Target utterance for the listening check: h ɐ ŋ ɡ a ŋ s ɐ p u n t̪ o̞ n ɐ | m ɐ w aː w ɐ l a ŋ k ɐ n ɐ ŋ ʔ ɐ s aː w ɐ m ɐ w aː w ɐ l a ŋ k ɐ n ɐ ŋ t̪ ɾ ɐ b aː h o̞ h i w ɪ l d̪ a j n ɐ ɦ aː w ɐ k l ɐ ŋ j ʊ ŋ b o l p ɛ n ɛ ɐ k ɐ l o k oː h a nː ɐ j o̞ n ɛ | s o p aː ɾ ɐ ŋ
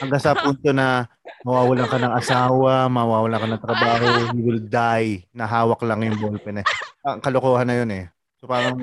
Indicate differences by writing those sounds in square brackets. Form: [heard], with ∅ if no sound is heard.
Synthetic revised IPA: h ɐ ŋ ɡ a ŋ s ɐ p u n t̪ o̞ n ɐ | m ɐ w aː w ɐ l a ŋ k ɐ n ɐ ŋ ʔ ɐ s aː w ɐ m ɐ w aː w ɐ l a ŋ k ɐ n ɐ ŋ t̪ ɾ ɐ b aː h o̞ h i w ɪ l d̪ a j n ɐ ɦ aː w ɐ k l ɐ ŋ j ʊ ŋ b o l p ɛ n ɛ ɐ k ɐ l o k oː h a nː ɐ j o̞ n ɛ | s o p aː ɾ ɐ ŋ